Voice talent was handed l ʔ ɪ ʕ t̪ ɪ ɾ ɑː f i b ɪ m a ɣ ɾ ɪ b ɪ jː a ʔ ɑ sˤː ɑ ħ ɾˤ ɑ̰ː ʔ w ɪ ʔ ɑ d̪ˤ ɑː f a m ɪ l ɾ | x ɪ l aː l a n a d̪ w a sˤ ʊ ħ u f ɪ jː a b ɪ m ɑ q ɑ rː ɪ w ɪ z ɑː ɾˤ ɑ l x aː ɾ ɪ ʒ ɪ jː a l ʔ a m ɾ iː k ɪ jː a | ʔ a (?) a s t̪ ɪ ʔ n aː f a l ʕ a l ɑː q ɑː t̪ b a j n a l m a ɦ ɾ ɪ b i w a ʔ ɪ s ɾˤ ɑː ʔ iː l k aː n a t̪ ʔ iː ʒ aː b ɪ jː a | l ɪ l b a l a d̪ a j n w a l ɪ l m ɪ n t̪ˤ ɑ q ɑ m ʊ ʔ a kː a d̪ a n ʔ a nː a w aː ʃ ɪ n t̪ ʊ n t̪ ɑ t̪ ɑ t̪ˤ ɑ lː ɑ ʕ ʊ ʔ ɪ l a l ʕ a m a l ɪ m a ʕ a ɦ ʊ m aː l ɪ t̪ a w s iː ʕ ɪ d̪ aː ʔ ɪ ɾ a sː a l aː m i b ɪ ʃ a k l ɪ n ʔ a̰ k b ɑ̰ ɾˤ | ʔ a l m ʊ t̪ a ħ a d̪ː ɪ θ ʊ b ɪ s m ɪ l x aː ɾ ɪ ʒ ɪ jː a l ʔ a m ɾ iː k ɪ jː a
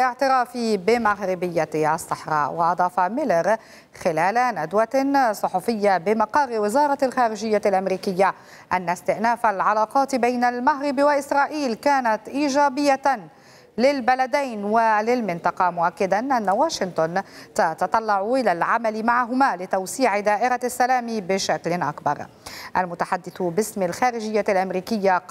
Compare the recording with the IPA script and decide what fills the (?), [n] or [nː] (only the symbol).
nː